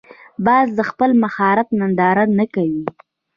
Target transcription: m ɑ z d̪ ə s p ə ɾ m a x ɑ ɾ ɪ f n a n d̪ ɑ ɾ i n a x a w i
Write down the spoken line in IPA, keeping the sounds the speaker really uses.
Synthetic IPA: b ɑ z d̪ ə x p ə l m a x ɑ ɾ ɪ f n a n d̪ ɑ ɾ a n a k a w i